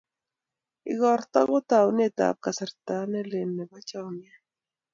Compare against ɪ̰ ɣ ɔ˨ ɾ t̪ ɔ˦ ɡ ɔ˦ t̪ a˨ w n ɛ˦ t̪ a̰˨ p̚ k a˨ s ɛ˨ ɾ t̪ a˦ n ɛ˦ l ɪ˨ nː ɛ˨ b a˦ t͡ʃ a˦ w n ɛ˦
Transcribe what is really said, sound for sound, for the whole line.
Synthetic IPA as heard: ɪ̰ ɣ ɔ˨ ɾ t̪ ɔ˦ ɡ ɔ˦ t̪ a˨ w n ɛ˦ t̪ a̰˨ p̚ k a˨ s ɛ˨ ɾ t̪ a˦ n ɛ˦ l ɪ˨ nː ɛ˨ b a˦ t͡ʃ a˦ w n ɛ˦